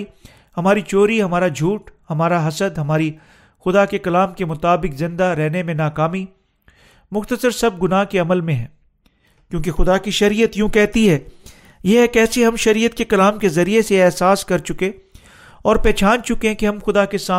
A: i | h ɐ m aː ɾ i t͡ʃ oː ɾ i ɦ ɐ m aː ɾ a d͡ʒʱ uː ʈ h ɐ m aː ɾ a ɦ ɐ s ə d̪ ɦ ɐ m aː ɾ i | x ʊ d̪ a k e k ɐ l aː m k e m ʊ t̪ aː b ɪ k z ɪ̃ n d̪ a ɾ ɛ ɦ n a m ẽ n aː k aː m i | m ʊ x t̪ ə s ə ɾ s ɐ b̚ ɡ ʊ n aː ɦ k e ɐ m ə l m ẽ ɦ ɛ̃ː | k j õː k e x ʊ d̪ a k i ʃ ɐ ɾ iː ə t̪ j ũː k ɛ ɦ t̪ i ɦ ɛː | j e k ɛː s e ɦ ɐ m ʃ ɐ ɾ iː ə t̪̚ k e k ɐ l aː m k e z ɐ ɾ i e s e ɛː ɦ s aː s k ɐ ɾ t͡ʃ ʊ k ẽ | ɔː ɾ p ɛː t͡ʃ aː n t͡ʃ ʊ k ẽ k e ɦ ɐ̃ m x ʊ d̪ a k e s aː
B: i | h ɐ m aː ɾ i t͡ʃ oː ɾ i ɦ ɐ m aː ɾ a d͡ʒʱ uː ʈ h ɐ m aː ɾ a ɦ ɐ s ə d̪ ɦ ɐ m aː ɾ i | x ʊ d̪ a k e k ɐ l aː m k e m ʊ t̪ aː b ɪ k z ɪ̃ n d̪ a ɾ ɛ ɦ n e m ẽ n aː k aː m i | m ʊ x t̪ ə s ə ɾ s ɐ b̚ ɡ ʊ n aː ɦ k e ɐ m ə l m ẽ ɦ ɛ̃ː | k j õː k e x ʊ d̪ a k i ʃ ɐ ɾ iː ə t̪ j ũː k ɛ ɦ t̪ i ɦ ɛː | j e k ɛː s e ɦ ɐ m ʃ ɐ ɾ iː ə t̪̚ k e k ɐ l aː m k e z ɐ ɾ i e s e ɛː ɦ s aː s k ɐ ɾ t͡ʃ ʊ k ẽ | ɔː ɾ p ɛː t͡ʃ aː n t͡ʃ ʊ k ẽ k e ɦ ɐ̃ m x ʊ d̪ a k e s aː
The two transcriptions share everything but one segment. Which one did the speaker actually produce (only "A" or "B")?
B